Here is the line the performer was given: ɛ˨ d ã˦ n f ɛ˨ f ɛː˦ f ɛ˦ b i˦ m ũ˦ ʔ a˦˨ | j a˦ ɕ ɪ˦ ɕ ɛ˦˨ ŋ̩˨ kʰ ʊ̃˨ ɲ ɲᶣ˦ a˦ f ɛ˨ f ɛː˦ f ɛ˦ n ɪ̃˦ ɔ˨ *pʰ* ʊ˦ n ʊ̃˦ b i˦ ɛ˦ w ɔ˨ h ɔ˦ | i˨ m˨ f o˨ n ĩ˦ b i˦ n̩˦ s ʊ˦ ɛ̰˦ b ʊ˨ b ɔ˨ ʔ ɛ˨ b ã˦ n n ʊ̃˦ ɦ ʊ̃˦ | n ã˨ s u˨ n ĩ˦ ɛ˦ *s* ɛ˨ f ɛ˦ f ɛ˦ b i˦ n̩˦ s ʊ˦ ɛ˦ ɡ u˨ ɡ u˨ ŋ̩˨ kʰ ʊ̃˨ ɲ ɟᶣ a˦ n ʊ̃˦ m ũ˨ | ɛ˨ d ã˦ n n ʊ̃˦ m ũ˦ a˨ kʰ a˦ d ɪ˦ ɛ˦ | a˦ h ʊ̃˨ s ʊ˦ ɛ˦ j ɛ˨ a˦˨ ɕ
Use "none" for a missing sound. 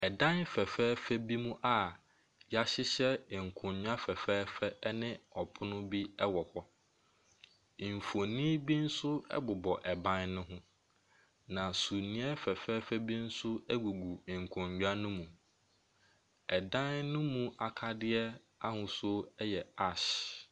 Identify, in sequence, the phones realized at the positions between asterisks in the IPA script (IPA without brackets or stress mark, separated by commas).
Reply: pʰ, f